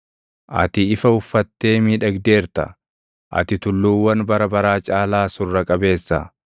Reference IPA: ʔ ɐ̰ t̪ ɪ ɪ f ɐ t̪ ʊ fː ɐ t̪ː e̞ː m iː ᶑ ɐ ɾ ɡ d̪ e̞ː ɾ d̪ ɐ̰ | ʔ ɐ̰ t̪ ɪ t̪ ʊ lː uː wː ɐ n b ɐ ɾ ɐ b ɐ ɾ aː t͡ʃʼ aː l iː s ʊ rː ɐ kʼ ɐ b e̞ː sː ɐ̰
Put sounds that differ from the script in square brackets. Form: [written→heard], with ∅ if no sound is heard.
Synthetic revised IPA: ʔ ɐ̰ t̪ ɪ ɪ f ɐ [t̪→∅] ʊ fː ɐ t̪ː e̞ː m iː ᶑ ɐ [ɾ→∅] ɡ d̪ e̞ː ɾ [d̪→t̪] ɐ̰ | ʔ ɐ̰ t̪ ɪ t̪ ʊ lː uː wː ɐ n b ɐ ɾ ɐ b ɐ ɾ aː t͡ʃʼ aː l [iː→aː] s ʊ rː ɐ kʼ ɐ b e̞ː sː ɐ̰